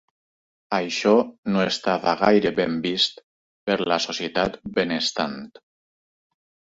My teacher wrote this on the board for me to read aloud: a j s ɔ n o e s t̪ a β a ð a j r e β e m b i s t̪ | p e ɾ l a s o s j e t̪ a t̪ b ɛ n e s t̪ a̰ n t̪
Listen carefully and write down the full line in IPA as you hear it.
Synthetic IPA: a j ʃ ɔ n o e s t̪ a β a ɣ a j ɾ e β e m b i s t̪ | p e ɾ l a s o s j e t̪ a t̪ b e n e s t̪ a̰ n t̪